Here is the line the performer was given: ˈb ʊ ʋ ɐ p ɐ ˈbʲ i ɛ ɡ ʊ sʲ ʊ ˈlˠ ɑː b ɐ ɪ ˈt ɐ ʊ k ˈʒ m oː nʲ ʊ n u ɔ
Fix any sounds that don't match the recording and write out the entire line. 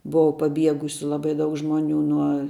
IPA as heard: ˈb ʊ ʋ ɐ p ɐ ˈbʲ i ɛ ɡ ʊ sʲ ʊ ˈlˠ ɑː b ɐ ɪ ˈd ɐ ʊ k ˈʒ m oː nʲ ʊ n u ɔ